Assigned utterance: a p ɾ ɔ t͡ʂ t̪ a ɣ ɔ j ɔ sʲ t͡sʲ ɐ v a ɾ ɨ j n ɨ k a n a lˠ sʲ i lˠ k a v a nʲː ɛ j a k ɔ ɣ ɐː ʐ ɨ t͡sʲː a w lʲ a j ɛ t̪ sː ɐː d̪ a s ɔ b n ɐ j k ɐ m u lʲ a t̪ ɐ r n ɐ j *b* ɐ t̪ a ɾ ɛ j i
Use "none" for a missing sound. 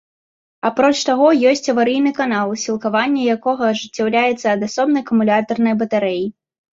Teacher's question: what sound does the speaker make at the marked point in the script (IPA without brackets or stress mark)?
b